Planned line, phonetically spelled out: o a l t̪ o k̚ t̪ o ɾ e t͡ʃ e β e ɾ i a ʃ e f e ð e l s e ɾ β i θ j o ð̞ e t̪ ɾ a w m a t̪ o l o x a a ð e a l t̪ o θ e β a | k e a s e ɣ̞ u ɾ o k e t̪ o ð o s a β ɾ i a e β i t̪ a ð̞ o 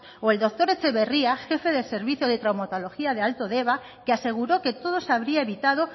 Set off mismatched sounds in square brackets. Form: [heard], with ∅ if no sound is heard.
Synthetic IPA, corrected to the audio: o [e] l [d̪] o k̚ t̪ o ɾ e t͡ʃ e β e [r] i a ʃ e f e ð e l s e ɾ β i θ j o ð̞ e t̪ ɾ a w m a t̪ o l o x [i] a ð e a l t̪ o [ð] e β a | k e a s e ɣ̞ u ɾ o k e t̪ o ð o s a β ɾ i a e β i t̪ a ð̞ o